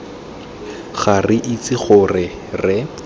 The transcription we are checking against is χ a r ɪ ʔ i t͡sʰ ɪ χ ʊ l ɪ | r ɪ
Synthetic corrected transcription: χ a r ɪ ʔ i t͡s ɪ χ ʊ r ɪ | r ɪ

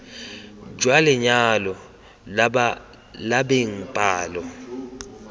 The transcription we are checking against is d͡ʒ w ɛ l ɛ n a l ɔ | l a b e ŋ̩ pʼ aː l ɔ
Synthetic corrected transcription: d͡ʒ w a l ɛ ɲ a l ɔ | l a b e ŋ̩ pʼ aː l ɔ

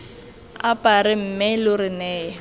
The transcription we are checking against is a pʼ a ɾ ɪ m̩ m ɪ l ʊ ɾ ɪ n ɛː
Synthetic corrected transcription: a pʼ a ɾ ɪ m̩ m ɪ l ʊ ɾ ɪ n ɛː

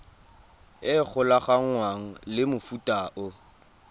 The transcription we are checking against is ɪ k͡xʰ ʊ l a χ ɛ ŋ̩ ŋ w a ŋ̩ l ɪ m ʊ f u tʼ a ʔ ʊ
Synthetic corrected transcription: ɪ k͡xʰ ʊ l a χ a ŋ̩ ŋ w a ŋ̩ l ɪ m ʊ f u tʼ a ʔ ʊ

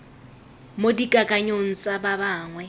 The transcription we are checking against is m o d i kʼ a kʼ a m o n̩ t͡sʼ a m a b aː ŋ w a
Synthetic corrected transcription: m o d i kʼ a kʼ a ɲ o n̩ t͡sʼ a b a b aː ŋ w ɛ

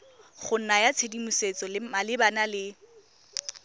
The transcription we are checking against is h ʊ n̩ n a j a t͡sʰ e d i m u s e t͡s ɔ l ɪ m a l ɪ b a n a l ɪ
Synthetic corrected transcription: χ ʊ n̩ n a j a t͡sʰ e d i m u s e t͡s ɔ l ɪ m a l ɪ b a n a l ɪ

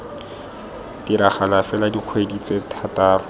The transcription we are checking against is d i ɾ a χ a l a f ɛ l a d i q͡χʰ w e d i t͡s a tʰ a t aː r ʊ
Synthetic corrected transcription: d i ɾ a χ a l a f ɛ l a d i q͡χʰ w e d i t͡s e tʰ a t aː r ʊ

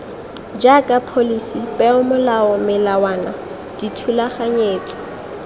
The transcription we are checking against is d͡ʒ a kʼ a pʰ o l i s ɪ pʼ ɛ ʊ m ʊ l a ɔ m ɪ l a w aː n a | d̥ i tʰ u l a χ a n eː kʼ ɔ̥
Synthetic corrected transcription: d͡ʒ a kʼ a pʰ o l i s i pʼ ɛ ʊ m ʊ l a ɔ m ɪ l a w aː n a | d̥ i tʰ u l a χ a ɲ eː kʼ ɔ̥

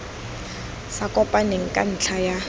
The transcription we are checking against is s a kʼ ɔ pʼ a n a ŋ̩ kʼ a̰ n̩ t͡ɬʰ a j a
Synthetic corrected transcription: s a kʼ ɔ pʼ a n e ŋ̩ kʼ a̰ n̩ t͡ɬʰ a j a

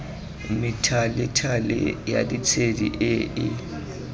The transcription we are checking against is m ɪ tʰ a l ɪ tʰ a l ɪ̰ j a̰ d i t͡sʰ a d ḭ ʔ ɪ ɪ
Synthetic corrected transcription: m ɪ tʰ a l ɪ tʰ a l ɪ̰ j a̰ d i t͡sʰ e d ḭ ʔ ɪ ɪ

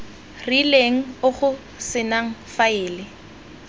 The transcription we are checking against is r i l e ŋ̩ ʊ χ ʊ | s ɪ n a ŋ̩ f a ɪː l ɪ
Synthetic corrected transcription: r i l e ŋ̩ ʊ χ ʊ | s ɪ n a ŋ̩ f a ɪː l ɪ

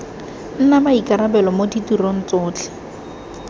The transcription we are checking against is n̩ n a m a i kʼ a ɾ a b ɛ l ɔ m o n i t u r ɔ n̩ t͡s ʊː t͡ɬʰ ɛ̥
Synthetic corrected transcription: n̩ n a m a i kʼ a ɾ a b ɛ l ɔ m o d i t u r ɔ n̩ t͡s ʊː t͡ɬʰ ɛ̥

